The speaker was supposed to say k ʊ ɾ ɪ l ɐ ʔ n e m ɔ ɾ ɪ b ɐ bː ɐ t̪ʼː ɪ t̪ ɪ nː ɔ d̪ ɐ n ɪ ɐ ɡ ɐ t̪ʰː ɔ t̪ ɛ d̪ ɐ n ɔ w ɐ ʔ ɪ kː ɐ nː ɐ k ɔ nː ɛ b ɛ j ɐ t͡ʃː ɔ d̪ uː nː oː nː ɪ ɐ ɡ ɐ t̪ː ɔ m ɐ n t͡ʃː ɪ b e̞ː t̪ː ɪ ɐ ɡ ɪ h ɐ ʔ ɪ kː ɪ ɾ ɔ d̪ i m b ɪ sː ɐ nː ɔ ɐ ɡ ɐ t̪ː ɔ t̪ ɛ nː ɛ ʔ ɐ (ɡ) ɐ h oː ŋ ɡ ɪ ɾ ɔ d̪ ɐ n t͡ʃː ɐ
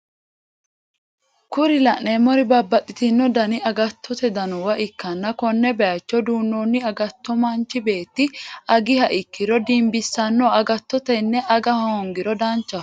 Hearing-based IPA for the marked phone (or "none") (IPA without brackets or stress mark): ɡ